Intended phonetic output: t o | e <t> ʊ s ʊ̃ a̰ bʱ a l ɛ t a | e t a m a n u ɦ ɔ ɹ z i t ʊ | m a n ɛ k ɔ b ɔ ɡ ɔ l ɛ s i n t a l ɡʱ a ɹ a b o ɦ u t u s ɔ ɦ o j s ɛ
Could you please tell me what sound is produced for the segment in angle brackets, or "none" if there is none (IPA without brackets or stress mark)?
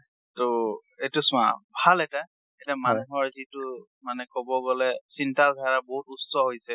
t